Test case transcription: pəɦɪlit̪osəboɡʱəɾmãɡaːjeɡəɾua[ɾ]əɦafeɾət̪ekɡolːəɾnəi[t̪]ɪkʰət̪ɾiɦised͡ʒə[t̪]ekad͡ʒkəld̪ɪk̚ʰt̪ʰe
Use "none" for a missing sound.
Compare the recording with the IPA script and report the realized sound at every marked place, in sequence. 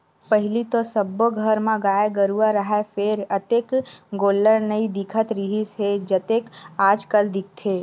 ɾ, d̪, t̪

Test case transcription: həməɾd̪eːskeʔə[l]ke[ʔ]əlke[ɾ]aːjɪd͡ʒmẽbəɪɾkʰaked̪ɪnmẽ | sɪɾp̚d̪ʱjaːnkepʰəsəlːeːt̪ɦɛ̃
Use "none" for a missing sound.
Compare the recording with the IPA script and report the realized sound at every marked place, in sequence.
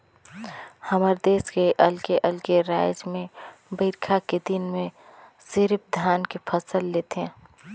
l, ʔ, ɾ

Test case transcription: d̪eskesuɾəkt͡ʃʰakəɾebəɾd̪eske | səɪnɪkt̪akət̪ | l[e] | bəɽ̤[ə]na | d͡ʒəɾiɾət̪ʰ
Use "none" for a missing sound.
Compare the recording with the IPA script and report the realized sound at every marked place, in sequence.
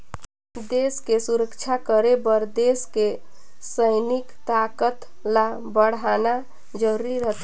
a, a

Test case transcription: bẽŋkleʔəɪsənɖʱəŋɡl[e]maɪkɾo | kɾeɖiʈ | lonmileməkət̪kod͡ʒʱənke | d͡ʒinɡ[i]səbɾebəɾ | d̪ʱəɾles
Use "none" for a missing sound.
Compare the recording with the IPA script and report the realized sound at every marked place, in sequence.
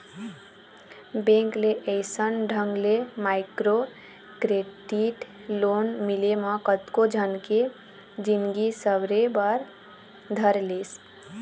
e, i

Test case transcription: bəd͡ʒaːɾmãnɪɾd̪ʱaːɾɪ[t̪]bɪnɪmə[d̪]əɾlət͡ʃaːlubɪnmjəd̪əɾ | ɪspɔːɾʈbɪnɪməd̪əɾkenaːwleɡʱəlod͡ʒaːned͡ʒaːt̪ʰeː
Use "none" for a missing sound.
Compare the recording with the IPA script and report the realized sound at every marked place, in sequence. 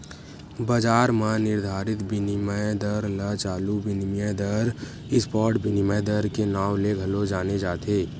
t̪, d̪

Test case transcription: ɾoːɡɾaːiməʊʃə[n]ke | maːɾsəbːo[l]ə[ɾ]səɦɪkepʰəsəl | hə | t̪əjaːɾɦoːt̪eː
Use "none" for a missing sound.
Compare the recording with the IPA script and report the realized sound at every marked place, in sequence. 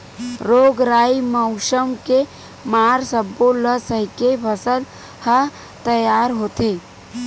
m, l, none

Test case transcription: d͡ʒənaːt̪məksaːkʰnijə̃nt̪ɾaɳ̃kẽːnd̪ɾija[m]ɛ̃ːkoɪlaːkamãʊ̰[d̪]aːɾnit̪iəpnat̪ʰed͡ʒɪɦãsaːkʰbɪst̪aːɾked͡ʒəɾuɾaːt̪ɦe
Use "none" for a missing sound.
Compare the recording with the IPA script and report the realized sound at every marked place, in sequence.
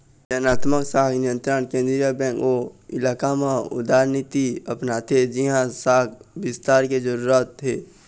b, d̪

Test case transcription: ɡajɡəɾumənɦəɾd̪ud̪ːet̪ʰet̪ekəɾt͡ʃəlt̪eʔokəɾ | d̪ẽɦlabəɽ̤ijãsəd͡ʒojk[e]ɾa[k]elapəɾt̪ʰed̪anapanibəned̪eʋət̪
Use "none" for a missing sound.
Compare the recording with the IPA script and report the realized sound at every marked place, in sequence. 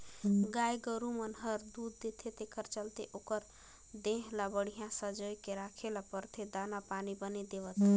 e, kʰ

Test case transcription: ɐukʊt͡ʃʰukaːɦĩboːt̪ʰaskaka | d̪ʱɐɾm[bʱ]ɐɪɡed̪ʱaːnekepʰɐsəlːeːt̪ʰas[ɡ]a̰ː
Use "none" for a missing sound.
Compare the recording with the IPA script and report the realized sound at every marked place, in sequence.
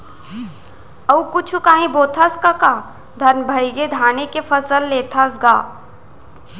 bʱ, ɡ

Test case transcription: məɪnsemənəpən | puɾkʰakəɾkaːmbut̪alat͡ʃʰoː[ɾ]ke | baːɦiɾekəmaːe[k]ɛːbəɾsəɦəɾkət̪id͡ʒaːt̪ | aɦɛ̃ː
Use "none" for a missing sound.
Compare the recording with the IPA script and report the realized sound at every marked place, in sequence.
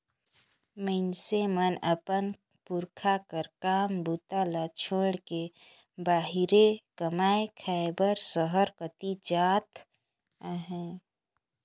ɽ, kʰ

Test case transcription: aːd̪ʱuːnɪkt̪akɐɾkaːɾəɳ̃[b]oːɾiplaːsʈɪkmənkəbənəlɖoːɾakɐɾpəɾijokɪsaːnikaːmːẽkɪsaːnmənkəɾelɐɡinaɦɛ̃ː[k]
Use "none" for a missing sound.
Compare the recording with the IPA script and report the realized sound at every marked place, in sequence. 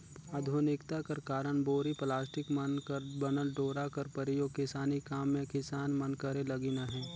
b, none

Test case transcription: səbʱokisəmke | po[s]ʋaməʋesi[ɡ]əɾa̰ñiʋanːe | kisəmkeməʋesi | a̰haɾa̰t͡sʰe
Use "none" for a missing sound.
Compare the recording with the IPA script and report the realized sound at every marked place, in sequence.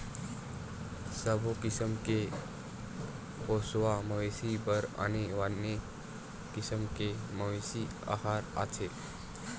s, b

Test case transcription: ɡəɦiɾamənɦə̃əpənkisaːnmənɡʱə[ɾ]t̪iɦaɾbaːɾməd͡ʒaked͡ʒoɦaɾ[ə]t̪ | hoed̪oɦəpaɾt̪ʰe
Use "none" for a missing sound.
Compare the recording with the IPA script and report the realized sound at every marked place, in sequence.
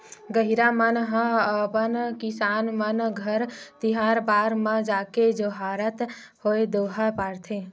ɾ, ə

